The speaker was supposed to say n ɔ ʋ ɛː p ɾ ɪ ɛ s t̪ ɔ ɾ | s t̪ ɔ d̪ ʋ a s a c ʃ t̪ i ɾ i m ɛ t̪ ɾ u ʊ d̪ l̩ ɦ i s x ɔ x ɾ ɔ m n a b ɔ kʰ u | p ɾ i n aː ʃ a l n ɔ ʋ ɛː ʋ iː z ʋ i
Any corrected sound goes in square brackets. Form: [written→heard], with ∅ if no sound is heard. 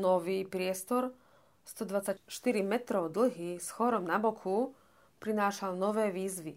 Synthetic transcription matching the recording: n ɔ ʋ [ɛː→iː] p ɾ ɪ ɛ s t̪ ɔ ɾ | s t̪ ɔ d̪ ʋ a [s→t͡s] a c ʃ t̪ i ɾ i m ɛ t̪ ɾ [u→ɔ] ʊ d̪ l̩ ɦ i s x ɔ [x→∅] ɾ ɔ m n a b ɔ kʰ u | p ɾ i n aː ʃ a l n ɔ ʋ ɛː ʋ iː z ʋ i